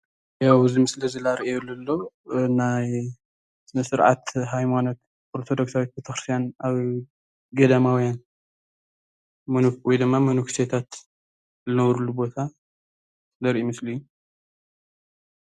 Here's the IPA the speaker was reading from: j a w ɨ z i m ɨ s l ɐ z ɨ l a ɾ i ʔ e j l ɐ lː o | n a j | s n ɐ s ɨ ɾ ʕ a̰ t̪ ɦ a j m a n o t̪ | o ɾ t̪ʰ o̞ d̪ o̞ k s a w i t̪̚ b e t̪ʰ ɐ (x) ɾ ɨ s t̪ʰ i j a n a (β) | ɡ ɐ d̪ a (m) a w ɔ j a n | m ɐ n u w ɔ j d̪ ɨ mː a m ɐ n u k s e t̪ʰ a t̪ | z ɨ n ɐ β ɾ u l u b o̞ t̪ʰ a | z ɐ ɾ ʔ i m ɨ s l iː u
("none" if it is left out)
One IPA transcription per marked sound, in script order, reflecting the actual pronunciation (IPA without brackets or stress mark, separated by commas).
x, β, m